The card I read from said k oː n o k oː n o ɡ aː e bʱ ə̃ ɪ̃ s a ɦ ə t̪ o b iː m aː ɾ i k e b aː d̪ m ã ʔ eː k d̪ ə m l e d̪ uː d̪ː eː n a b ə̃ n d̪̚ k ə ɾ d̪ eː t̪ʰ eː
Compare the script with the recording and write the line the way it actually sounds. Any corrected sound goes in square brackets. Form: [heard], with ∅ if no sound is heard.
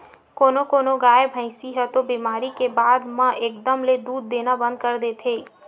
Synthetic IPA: k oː n o k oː n o ɡ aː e bʱ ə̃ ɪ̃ s [i] ɦ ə t̪ o b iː m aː ɾ i k e b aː d̪ m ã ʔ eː k d̪ ə m l e d̪ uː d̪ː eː n a b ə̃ n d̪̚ k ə ɾ d̪ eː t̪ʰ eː